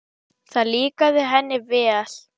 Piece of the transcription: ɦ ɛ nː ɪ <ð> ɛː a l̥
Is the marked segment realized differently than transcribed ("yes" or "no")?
yes